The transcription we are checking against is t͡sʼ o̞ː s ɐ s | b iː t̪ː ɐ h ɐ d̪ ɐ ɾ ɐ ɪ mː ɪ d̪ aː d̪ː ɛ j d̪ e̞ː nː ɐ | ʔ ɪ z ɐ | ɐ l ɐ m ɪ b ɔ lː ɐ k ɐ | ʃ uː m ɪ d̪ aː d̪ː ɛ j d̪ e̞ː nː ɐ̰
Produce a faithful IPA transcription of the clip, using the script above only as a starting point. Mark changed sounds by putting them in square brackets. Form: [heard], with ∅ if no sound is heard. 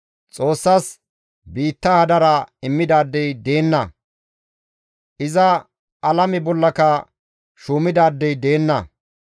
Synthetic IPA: t͡sʼ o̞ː [sː] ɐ s | b iː t̪ː ɐ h ɐ d̪ ɐ ɾ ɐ ɪ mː ɪ d̪ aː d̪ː ɛ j d̪ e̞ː nː ɐ | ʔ ɪ z ɐ | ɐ l ɐ m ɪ b ɔ lː ɐ k ɐ | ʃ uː m ɪ d̪ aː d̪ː ɛ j d̪ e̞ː nː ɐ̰